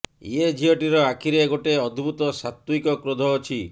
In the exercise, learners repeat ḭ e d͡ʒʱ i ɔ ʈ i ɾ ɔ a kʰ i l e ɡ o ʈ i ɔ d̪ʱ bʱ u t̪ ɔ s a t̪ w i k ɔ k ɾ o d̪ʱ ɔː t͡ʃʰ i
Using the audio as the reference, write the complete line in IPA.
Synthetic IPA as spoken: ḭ e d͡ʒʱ i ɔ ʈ i ɾ ɔ a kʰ i ɾ e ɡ o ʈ e ɔ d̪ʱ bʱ u t̪ ɔ s a t̪ w i k ɔ k ɾ o d̪ʱ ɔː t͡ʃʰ i